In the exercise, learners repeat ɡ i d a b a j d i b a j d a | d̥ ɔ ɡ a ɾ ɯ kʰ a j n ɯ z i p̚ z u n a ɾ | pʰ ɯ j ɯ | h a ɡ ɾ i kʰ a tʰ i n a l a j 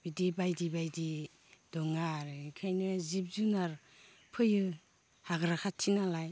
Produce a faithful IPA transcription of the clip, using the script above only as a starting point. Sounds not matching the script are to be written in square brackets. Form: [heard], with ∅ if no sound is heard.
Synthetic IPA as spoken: [b] i d [i] b a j d i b a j d [i] | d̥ ɔ [ŋ] a ɾ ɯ kʰ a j n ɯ z i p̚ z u n a ɾ | pʰ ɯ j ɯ | h a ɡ ɾ [a] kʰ a tʰ i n a l a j